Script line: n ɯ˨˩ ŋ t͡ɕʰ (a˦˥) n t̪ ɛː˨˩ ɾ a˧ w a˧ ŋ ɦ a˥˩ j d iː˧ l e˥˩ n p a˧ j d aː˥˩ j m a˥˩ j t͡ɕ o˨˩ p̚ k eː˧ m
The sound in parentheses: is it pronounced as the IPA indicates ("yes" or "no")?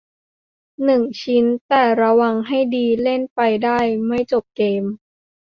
no